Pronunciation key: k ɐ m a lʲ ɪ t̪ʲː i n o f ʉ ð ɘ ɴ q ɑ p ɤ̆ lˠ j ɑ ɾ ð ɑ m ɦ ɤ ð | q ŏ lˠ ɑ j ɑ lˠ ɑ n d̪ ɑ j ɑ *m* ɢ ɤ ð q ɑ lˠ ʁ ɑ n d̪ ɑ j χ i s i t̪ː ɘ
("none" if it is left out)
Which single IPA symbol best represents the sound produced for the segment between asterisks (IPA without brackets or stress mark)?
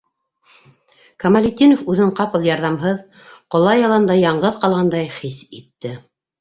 ɴ